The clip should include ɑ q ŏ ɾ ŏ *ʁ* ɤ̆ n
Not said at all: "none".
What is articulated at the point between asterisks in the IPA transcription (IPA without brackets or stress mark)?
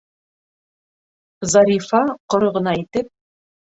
ʁ